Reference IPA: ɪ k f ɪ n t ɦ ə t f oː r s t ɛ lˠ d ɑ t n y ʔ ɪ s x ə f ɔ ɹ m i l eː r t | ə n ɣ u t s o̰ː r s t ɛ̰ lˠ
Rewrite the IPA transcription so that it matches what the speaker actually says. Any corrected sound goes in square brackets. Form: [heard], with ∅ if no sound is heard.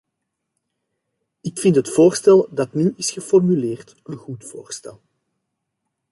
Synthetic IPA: ɪ k f ɪ n t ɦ ə t f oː r s t ɛ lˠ d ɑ t n y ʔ ɪ s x ə f ɔ [r] m [y] l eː r t | ə n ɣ u t [f] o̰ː r s t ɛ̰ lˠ